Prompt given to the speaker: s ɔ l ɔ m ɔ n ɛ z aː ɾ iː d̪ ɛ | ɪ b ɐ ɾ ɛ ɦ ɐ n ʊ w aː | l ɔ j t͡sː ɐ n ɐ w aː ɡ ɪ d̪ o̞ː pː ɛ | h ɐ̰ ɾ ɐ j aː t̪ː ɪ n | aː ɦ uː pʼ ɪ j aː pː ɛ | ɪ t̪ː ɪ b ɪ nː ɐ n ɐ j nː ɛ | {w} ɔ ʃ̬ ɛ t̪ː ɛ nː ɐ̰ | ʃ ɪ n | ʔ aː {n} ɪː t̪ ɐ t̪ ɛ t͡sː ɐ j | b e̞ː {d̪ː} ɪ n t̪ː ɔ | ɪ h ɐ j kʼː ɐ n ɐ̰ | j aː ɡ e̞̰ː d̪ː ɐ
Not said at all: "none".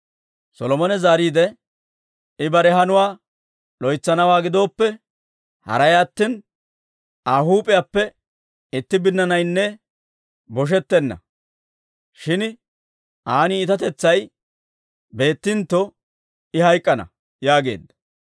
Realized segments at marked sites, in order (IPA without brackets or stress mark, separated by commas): b, n, t̪ː